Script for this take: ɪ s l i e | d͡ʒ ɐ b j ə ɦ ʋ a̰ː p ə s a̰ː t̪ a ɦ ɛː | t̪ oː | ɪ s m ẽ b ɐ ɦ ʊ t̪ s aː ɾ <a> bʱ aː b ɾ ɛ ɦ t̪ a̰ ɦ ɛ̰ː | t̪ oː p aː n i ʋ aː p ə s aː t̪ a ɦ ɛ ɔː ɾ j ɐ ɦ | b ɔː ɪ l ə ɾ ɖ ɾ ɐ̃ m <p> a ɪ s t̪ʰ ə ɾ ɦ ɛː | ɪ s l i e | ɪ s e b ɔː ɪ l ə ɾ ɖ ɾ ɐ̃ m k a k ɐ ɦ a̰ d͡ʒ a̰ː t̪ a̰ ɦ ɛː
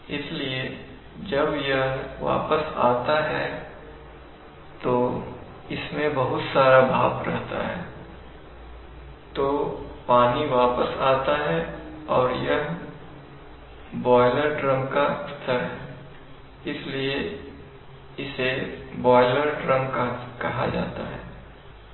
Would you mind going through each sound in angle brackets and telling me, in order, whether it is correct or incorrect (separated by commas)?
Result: correct, incorrect